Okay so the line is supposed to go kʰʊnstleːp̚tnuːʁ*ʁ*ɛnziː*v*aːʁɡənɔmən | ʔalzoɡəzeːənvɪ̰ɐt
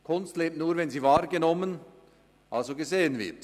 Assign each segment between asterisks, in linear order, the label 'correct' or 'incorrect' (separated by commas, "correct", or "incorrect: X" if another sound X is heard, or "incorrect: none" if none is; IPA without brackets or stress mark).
incorrect: v, correct